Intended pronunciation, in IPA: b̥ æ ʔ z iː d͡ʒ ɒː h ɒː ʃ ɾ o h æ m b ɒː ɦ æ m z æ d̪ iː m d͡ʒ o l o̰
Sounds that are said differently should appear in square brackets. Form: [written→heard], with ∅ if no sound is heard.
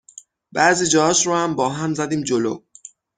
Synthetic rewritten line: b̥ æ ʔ z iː d͡ʒ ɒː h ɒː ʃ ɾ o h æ m b ɒː ɦ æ m z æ d̪ iː m d͡ʒ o l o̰